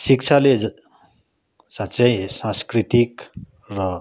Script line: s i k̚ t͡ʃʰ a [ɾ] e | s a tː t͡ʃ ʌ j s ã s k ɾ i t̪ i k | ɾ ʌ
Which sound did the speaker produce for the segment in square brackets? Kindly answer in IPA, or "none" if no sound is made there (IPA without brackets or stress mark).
l